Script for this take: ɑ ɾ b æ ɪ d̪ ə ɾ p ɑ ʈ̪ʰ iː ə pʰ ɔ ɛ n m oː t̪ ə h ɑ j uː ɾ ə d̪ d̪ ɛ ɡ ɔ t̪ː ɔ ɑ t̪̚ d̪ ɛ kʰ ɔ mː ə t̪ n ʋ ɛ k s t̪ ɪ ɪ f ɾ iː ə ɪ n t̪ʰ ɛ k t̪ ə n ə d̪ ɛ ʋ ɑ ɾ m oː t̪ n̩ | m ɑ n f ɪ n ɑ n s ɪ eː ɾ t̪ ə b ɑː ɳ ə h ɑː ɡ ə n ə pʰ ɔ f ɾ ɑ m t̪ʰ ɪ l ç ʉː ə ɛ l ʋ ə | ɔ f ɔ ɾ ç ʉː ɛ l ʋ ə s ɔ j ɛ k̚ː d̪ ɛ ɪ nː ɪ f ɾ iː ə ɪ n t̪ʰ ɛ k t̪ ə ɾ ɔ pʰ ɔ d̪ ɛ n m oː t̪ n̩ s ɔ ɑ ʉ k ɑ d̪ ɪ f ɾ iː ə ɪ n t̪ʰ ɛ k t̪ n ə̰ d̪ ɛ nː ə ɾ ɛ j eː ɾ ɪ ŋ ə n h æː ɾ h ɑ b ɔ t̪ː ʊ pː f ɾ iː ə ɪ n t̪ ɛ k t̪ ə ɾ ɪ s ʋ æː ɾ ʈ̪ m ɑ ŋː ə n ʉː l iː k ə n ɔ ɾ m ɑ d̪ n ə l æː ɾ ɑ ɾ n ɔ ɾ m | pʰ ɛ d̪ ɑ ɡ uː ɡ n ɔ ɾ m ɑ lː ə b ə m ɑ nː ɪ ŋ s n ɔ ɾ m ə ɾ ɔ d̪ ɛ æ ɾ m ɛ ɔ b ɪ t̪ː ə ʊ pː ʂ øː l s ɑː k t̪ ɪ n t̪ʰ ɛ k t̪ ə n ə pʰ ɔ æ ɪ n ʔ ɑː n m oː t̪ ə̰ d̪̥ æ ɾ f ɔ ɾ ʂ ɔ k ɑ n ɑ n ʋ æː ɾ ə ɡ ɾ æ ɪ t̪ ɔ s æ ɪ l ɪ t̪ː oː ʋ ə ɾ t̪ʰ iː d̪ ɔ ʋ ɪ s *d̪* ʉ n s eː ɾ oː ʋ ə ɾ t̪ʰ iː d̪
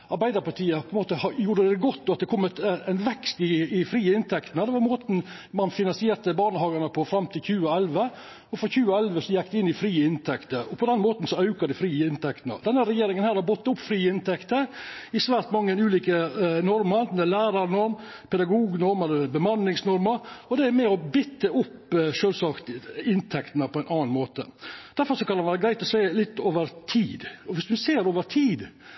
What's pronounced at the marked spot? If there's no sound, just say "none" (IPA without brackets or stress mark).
d̪